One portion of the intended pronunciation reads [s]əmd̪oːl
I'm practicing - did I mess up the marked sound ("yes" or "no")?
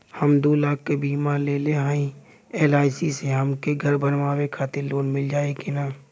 yes